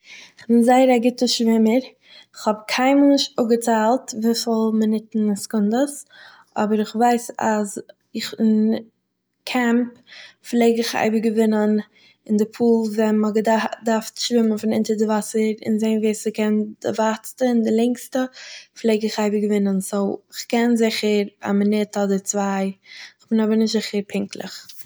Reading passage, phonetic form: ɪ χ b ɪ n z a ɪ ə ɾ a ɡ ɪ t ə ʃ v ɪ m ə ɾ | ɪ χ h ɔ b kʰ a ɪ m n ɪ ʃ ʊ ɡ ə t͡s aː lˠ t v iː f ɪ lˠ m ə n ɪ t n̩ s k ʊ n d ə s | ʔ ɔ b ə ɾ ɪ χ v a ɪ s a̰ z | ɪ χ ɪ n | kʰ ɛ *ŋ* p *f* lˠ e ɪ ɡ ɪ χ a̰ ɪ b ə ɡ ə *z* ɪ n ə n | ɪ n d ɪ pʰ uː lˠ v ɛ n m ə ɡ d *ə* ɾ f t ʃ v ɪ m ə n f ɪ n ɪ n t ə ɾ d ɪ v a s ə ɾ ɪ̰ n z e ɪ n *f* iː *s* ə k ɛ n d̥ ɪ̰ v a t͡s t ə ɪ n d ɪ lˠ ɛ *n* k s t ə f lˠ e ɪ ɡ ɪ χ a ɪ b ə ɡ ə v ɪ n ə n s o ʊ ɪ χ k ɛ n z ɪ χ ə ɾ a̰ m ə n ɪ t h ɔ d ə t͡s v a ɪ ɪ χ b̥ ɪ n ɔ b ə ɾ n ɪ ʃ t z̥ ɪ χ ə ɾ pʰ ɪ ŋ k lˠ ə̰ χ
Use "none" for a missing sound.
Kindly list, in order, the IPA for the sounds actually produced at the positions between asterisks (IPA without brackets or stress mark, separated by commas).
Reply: m, f, v, a, v, s, ŋ